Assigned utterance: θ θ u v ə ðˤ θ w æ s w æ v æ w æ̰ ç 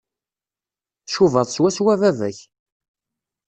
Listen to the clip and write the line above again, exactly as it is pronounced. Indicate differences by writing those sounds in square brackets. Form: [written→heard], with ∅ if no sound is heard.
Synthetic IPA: θ [θ→ʃ] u v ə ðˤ [θ→s] w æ s w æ v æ [w→v] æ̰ ç